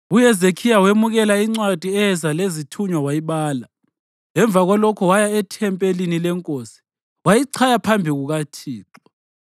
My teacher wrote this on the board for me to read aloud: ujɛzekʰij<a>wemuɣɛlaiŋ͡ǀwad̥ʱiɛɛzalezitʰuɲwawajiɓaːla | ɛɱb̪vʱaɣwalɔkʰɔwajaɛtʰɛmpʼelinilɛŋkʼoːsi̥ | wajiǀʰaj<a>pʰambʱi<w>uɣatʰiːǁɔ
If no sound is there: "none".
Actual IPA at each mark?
a, a, ɣ

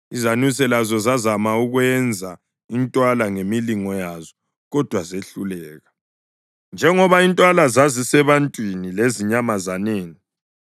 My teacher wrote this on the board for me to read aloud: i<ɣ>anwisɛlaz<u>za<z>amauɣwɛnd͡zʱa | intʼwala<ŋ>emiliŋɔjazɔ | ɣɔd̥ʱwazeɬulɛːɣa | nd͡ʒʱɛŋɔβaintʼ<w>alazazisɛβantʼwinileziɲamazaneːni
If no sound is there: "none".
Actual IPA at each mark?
z, ɔ, z, ŋ, w

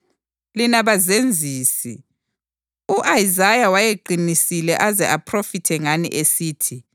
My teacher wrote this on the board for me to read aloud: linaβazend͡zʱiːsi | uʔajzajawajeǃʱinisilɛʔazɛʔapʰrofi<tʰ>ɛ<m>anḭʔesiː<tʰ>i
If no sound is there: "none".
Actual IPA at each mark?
tʰ, ŋ, tʰ

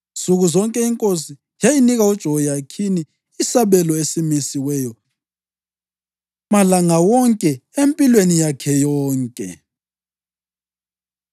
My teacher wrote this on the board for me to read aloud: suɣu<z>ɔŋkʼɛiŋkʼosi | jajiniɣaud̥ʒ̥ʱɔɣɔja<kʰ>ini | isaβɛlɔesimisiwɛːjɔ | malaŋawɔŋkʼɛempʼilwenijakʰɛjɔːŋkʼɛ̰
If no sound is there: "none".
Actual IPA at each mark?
z, kʰ

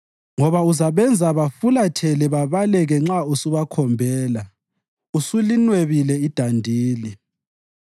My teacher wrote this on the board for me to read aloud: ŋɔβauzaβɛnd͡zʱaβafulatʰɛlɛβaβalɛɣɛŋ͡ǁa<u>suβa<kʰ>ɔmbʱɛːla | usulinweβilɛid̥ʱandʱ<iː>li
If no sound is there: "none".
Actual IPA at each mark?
u, kʰ, iː

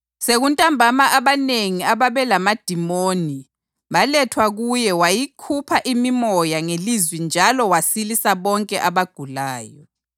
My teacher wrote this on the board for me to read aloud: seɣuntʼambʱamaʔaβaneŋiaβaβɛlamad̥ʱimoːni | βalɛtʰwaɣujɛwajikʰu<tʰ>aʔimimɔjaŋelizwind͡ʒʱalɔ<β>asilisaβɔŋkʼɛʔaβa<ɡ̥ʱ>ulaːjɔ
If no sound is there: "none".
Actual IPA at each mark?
pʰ, w, ɡ̥ʱ

